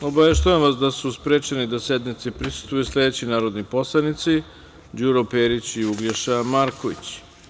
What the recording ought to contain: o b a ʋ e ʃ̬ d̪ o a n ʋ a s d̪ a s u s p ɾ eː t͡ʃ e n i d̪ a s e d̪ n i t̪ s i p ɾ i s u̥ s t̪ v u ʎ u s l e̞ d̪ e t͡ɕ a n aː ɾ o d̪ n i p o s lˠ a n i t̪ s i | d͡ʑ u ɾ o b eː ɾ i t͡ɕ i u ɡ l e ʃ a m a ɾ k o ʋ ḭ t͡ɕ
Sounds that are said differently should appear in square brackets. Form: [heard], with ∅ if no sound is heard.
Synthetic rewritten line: o b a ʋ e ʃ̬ [t̪] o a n ʋ a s d̪ a s u s p ɾ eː t͡ʃ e n i d̪ a s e d̪ n i t̪ s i p ɾ i s u̥ s t̪ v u [j] u s l e̞ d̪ e t͡ɕ [i] n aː ɾ o d̪ n i p o s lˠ a n i t̪ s i | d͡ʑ u ɾ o [p] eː ɾ i t͡ɕ i u ɡ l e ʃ a m a ɾ k o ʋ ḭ t͡ɕ